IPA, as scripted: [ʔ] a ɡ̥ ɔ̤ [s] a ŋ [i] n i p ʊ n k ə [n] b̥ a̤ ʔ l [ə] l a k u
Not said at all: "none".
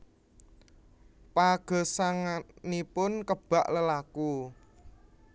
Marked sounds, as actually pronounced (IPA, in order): p, s, a, none, ə

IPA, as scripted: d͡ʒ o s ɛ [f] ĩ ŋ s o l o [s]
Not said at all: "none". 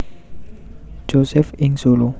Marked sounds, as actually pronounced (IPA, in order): f, none

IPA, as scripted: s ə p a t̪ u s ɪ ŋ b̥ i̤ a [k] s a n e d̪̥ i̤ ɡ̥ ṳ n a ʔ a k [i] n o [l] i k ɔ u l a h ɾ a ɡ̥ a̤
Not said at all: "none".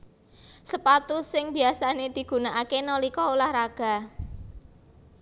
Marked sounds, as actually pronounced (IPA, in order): none, e, l

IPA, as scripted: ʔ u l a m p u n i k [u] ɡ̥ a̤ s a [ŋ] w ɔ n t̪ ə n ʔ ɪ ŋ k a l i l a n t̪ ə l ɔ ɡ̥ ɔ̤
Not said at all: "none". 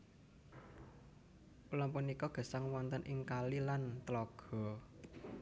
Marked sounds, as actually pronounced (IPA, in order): ɔ, ŋ

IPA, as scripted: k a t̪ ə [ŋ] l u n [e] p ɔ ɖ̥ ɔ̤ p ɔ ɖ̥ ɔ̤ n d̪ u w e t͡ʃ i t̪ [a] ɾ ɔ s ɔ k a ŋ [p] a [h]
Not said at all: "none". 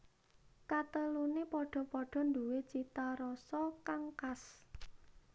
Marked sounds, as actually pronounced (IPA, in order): none, e, a, k, s

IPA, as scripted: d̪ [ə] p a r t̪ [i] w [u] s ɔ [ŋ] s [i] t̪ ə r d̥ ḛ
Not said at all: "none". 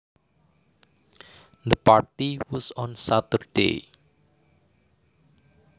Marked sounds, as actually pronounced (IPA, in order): ə, i, ɔ, n, a

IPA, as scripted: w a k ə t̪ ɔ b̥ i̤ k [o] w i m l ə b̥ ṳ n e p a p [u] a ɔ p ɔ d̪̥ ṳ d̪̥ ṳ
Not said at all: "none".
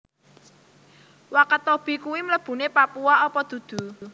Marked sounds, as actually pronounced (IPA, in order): u, u

